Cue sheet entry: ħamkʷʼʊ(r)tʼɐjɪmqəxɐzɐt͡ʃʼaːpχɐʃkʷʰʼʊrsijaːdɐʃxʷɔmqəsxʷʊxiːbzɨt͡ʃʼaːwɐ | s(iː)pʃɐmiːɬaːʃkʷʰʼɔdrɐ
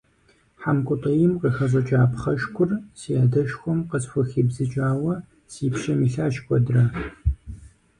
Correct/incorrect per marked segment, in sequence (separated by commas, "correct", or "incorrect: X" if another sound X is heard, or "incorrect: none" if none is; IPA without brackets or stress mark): incorrect: none, correct